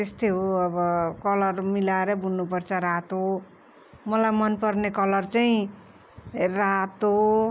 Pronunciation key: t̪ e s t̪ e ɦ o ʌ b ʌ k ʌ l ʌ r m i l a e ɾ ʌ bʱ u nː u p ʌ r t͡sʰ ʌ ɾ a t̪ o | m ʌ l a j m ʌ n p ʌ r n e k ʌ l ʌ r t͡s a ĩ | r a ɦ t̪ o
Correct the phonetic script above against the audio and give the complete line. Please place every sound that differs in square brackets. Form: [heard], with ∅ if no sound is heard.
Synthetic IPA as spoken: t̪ e s t̪ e ɦ o ʌ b ʌ k ʌ l ʌ r m i l a e ɾ ʌ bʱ u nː u p ʌ r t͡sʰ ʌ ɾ a t̪ o | m ʌ l a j m ʌ n p ʌ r n e k ʌ l ʌ r t͡s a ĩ | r a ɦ t̪ o